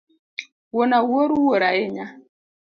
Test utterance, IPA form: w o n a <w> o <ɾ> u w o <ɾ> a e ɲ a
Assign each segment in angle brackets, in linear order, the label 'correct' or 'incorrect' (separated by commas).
correct, correct, correct